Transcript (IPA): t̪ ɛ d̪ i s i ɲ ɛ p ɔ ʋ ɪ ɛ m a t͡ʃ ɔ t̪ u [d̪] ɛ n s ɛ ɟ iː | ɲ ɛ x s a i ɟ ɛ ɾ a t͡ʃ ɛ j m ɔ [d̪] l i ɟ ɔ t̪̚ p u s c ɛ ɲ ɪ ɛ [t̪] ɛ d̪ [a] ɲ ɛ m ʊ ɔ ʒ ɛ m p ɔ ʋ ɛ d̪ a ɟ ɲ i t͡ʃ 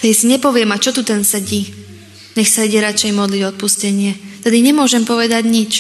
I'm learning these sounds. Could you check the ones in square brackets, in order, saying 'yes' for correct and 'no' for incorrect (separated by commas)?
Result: no, yes, yes, no